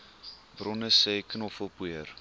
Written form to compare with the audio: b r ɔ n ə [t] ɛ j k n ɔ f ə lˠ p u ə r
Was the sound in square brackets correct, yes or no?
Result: no